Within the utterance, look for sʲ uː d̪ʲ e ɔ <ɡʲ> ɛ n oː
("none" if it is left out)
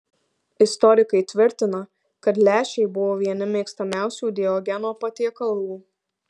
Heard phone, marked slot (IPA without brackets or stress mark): ɡʲ